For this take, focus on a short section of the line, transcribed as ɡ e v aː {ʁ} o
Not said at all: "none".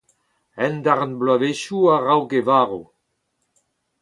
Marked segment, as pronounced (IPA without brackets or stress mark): ʁ